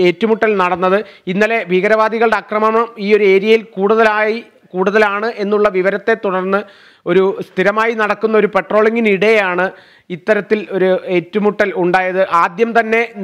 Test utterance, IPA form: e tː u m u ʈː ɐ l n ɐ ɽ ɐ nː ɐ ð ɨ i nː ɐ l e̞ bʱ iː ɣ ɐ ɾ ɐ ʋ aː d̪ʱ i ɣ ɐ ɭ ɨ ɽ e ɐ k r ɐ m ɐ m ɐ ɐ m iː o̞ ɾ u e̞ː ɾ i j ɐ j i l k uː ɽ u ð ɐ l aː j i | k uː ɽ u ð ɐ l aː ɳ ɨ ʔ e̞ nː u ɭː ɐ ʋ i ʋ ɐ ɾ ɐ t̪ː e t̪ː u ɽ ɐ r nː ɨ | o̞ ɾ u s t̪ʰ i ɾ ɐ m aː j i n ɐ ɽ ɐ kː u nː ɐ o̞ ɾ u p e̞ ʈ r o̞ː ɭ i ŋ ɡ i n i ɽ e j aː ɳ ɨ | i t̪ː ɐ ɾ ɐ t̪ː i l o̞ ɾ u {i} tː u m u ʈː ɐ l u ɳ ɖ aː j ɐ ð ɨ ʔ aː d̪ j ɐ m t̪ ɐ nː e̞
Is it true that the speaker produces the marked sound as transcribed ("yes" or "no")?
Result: no